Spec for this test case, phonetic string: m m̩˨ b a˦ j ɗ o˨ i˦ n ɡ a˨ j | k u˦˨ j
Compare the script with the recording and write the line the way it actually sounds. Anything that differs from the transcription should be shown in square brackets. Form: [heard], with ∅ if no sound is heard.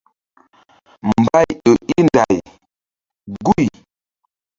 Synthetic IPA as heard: m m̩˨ b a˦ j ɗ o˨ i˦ n [d] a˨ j | [ɡ] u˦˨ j